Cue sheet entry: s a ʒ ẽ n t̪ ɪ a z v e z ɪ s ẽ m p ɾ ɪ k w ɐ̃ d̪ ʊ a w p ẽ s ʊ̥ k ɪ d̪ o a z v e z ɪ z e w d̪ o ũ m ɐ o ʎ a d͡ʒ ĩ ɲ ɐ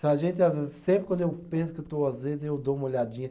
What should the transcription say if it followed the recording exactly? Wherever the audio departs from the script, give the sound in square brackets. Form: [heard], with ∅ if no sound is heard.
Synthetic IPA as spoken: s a ʒ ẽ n t̪ ɪ a z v e z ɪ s ẽ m p ɾ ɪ k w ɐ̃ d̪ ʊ [e] w p ẽ s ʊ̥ k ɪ [t̪] o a z v e z ɪ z e w d̪ o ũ m ɐ o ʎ a d͡ʒ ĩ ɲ ɐ